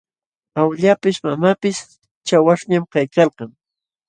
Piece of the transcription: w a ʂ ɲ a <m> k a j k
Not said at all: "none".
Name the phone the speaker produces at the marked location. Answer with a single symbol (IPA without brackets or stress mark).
m